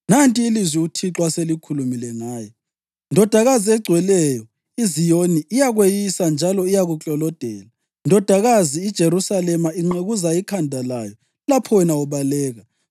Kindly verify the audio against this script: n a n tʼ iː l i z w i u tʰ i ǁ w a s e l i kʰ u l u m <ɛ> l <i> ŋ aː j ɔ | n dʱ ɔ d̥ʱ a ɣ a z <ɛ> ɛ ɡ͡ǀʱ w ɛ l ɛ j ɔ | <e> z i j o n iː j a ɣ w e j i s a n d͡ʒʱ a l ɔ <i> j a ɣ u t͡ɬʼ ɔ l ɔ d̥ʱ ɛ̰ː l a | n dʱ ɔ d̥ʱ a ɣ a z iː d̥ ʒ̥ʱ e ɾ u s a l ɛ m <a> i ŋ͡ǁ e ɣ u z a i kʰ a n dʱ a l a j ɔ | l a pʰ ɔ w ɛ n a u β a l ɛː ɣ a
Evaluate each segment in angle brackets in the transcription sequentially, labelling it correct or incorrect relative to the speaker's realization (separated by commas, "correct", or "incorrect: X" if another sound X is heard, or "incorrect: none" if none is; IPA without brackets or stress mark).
incorrect: i, incorrect: ɛ, incorrect: i, incorrect: i, correct, correct